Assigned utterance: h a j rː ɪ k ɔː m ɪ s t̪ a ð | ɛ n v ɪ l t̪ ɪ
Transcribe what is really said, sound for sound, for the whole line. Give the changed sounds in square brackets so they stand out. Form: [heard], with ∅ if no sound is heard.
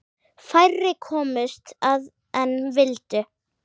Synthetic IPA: [f] a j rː ɪ [kʰ] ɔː m ɪ s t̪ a ð | ɛ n v ɪ l t̪ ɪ